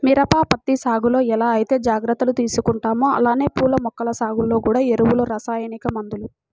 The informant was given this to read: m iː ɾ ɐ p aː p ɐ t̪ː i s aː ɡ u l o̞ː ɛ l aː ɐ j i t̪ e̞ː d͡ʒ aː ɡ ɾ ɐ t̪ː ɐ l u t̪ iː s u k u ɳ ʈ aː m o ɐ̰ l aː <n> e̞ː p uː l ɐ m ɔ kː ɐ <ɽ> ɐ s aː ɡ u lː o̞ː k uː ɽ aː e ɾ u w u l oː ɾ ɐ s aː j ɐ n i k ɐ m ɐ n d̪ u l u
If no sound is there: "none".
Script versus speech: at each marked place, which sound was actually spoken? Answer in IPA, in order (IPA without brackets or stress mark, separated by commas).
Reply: n, l